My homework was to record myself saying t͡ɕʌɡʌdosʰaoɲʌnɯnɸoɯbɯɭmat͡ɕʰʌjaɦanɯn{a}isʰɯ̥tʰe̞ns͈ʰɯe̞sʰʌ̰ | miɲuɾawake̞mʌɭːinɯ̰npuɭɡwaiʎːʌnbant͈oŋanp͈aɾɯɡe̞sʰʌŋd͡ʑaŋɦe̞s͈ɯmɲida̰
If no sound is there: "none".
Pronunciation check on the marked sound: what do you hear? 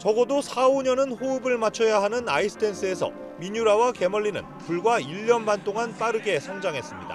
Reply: a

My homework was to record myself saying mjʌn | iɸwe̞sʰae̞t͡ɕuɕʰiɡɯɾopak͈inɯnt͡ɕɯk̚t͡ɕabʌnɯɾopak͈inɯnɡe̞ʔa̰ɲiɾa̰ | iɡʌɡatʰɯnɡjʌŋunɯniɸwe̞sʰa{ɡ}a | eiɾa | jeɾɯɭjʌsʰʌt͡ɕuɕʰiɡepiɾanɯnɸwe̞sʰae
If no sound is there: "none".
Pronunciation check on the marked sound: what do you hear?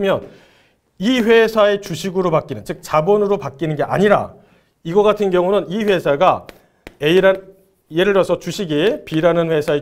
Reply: ɡ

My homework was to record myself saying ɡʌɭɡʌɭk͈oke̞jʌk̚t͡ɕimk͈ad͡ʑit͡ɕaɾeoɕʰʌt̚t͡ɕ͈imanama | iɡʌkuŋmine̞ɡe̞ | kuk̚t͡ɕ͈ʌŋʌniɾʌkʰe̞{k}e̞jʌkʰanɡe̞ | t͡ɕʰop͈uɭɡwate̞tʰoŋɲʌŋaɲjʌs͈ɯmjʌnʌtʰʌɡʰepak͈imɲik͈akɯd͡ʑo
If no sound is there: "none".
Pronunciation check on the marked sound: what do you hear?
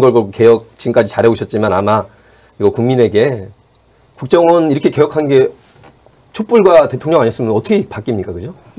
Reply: k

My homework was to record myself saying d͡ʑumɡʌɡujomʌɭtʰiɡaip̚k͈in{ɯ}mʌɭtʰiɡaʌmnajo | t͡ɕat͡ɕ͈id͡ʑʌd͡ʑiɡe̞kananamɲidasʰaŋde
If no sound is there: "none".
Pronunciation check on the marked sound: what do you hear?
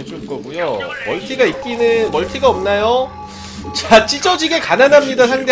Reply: ɯ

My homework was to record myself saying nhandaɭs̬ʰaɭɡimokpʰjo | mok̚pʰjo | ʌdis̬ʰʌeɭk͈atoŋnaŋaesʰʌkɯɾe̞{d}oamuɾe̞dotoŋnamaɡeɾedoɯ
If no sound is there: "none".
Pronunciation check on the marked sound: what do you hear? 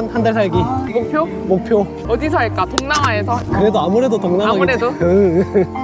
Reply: d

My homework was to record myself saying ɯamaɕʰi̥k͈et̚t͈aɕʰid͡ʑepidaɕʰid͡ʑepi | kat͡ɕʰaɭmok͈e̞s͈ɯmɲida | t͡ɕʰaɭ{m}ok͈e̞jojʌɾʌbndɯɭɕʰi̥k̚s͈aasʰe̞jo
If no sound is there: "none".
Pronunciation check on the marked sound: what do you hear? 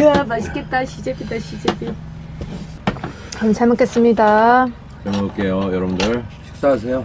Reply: m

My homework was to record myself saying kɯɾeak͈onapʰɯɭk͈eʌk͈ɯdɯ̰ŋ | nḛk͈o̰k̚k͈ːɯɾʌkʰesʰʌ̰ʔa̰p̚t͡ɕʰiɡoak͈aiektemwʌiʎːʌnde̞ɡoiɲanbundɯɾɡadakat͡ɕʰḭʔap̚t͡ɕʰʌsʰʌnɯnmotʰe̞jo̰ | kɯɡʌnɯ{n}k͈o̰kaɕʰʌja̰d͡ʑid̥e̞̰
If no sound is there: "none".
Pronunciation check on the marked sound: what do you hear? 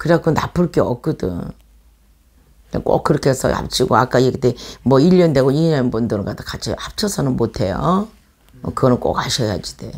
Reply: n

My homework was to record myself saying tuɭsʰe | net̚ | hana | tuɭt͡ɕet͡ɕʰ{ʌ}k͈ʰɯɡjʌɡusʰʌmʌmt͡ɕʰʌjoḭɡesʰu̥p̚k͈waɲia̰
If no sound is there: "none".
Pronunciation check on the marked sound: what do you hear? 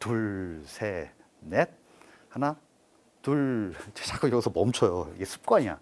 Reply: a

